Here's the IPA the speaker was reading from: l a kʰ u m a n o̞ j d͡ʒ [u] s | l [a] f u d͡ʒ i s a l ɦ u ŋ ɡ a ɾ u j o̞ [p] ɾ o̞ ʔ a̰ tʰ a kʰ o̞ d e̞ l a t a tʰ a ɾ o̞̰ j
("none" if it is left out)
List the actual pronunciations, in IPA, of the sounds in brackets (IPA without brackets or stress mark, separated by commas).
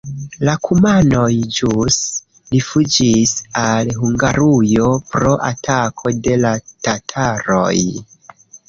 u, i, p